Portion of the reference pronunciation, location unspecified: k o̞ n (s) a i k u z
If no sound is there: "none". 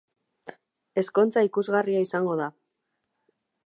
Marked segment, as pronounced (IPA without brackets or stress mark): t͡s